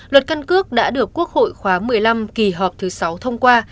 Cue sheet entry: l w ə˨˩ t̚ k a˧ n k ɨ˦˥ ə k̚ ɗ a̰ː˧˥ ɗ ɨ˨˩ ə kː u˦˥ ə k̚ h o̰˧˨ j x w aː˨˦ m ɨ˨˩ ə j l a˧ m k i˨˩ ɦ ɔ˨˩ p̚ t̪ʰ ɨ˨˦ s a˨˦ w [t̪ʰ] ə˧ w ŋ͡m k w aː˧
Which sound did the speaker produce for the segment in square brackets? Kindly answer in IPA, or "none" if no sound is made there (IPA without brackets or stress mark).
t̪ʰ